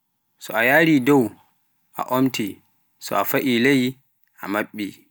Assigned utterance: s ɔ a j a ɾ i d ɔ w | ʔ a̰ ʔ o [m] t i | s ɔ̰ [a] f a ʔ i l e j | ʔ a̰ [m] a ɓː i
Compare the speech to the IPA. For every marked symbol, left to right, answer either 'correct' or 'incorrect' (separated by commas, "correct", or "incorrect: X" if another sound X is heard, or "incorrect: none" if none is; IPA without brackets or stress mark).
correct, correct, correct